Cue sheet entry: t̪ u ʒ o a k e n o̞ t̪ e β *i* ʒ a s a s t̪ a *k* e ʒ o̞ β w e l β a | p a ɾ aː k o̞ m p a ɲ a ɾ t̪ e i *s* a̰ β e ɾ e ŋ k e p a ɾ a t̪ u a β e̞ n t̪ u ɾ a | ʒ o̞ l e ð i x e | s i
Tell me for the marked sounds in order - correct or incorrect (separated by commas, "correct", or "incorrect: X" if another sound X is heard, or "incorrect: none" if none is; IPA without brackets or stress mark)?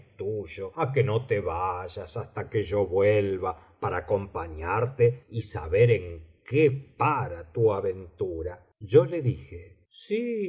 incorrect: a, correct, correct